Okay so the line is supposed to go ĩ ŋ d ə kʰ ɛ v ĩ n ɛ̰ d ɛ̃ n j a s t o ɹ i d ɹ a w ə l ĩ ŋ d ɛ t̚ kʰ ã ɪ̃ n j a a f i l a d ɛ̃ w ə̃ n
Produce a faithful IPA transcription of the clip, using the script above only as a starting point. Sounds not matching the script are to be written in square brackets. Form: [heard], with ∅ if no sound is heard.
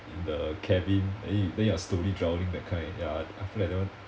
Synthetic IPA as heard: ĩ [n] d ə kʰ ɛ v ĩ n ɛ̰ d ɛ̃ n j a s t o ɹ i d ɹ a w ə l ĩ ŋ d ɛ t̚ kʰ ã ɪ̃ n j a a f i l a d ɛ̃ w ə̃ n